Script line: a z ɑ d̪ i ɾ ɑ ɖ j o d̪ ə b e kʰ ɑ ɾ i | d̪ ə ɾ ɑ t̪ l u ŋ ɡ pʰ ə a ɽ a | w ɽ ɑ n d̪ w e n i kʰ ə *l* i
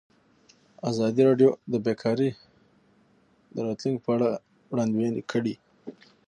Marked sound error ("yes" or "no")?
yes